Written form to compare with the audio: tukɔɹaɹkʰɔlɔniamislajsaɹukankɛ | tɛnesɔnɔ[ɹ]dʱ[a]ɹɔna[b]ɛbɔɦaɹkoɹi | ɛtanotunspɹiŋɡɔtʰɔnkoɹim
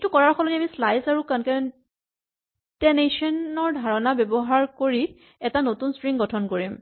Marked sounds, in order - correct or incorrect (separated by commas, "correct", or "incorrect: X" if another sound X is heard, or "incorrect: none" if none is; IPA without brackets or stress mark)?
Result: correct, correct, correct